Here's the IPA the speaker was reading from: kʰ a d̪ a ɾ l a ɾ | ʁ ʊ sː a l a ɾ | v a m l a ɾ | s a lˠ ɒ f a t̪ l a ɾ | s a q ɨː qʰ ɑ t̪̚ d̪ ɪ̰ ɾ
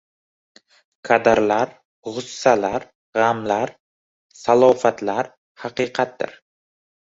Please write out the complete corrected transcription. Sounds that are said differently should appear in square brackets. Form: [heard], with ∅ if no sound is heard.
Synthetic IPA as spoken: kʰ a d̪ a ɾ l a ɾ | ʁ ʊ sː a l a ɾ | [ʁ] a m l a ɾ | s a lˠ ɒ f a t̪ l a ɾ | [h] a q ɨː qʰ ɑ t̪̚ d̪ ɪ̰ ɾ